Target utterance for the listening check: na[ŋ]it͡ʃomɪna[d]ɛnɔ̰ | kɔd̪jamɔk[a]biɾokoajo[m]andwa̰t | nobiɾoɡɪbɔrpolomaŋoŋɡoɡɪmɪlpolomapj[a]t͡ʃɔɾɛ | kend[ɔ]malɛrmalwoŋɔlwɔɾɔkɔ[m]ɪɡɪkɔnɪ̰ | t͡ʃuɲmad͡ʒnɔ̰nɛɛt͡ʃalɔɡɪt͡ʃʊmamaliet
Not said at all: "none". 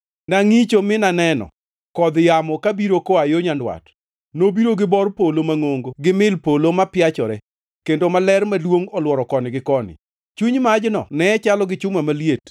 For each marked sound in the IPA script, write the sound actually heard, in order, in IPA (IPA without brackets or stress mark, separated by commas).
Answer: ŋ, n, a, ɲ, a, o, n